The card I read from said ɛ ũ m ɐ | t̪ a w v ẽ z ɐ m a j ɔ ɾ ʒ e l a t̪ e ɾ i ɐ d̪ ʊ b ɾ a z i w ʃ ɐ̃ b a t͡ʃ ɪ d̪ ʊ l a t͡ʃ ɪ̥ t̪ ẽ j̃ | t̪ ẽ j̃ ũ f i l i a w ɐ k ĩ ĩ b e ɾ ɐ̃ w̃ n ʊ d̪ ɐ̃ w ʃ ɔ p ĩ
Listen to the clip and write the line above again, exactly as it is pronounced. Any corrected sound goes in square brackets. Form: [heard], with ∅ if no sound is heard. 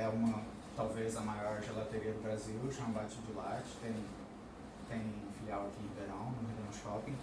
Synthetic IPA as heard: ɛ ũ m ɐ | t̪ a w v [e] z ɐ m a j ɔ ɾ ʒ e l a t̪ e ɾ i ɐ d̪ ʊ b ɾ a z i w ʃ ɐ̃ b a t͡ʃ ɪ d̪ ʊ l a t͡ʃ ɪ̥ t̪ ẽ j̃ | t̪ ẽ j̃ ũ f i l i a w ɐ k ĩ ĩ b e ɾ ɐ̃ w̃ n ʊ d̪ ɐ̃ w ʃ ɔ p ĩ